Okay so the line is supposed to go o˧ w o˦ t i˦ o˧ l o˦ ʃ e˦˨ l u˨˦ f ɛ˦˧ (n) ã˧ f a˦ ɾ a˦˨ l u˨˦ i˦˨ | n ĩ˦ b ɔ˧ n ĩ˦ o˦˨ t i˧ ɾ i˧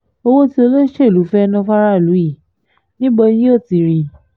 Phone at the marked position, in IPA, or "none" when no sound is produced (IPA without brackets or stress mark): n